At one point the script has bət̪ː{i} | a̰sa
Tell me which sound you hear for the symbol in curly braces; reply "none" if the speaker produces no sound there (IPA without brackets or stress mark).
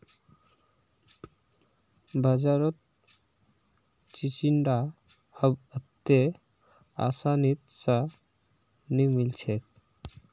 e